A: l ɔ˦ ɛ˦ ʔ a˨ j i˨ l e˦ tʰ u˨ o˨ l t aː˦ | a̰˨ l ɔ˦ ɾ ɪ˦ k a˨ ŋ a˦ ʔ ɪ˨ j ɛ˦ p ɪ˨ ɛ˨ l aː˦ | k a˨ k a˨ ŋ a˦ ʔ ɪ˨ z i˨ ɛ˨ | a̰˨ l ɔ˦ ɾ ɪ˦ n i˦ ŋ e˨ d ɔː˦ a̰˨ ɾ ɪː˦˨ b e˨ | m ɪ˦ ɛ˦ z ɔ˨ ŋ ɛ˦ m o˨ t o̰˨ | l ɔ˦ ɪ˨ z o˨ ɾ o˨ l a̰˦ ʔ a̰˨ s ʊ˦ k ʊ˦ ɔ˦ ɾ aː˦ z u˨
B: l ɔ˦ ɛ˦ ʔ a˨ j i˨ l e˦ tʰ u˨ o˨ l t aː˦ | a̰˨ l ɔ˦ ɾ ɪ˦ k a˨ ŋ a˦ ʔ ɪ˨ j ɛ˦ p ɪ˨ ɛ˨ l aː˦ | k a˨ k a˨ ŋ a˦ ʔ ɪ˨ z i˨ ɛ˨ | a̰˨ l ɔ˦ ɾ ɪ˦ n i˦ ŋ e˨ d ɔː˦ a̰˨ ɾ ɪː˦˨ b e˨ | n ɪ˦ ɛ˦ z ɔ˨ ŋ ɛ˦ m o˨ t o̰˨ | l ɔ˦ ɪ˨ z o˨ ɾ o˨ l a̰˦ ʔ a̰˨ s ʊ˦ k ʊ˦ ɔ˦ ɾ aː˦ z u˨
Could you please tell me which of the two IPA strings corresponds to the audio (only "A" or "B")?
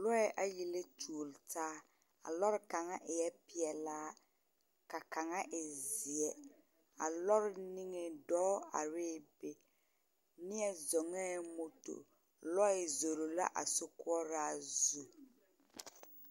B